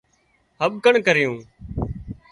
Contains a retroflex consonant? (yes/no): yes